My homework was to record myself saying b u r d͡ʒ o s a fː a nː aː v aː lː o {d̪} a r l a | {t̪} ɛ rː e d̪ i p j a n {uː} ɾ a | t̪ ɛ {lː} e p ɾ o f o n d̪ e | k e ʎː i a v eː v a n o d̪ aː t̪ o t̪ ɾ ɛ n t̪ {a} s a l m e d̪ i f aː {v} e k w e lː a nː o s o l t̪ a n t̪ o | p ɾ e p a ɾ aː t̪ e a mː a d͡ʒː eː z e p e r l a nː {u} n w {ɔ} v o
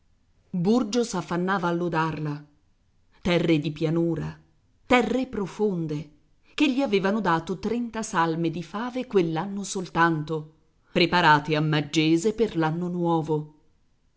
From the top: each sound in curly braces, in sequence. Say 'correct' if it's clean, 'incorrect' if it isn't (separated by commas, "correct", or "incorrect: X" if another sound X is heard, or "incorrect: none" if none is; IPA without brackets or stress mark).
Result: correct, correct, correct, incorrect: rː, correct, correct, incorrect: o, incorrect: ɔː